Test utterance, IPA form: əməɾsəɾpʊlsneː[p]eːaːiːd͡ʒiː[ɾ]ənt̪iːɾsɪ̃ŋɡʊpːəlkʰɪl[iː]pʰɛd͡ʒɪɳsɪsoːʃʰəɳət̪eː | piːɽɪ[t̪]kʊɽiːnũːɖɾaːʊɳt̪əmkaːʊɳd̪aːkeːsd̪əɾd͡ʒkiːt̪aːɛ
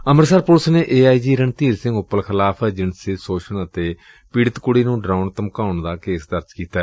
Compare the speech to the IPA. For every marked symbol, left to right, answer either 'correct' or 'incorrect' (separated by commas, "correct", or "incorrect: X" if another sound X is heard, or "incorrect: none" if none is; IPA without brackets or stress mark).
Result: incorrect: ʔ, correct, incorrect: aː, correct